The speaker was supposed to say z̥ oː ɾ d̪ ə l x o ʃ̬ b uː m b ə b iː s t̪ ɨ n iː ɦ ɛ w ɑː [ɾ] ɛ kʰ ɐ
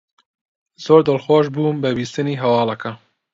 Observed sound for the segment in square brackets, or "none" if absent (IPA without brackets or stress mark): l